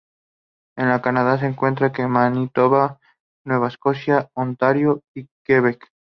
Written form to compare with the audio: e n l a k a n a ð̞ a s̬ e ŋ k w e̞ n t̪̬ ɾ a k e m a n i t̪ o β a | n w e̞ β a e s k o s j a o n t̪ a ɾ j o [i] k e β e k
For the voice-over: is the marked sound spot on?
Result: yes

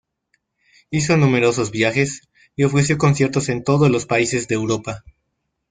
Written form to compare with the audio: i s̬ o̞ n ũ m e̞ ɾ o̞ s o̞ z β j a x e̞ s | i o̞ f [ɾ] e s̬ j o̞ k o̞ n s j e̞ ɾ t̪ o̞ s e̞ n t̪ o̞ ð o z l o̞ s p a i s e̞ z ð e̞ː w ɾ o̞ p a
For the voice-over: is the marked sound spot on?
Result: yes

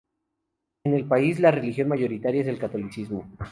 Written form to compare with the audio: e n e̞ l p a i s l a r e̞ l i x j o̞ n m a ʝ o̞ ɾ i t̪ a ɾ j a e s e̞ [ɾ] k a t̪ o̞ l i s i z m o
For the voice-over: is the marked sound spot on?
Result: no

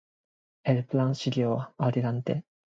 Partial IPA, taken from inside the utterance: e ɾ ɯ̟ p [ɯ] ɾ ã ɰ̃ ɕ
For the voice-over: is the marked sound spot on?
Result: yes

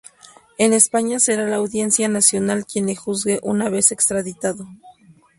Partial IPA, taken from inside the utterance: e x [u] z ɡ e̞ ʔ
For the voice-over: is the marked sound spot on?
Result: yes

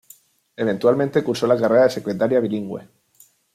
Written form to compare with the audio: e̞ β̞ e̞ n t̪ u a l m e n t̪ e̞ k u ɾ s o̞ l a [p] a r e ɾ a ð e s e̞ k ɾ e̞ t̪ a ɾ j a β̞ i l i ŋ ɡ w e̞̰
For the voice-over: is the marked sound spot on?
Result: no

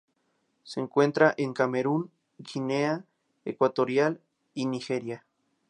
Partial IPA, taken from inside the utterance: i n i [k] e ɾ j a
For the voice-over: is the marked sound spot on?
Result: no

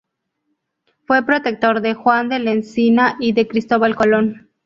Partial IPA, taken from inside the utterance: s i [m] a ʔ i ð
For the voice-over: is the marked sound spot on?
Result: no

